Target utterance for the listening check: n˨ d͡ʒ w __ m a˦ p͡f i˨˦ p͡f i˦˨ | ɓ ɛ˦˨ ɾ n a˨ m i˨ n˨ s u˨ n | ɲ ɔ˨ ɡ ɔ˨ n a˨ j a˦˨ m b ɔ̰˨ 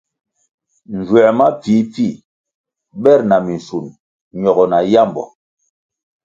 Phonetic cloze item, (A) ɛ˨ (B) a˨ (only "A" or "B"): A